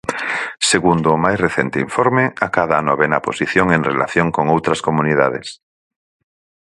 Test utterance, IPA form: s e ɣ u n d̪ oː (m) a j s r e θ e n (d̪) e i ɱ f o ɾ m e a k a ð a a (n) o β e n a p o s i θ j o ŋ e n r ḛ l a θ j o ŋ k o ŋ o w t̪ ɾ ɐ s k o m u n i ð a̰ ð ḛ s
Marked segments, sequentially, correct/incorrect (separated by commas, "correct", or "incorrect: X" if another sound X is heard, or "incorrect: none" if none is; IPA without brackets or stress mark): correct, incorrect: t̪, correct